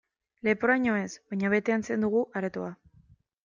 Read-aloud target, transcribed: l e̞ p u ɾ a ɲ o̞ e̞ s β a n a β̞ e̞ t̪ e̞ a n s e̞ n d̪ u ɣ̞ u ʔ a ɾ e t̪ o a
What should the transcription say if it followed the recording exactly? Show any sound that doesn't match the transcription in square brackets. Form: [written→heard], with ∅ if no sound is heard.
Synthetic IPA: l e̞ p [u→o] ɾ a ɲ o̞ e̞ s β a [n→ɲ] a β̞ e̞ t̪ e̞ a n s e̞ n d̪ u ɣ̞ u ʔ a ɾ e t̪ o a